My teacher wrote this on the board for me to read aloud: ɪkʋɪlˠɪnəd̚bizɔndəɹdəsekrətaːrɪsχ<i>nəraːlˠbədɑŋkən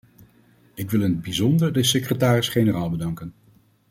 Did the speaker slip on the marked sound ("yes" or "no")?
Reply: yes